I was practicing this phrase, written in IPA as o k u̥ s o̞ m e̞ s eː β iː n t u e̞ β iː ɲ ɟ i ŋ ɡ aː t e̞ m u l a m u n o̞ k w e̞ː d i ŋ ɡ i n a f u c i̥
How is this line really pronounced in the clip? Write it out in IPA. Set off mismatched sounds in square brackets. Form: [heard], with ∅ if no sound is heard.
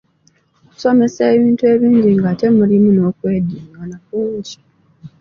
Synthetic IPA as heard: o k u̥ s o̞ m e̞ s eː β iː n t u e̞ β iː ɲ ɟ i ŋ ɡ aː t e̞ m u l [i] m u n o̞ k w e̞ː d i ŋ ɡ [a] n a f u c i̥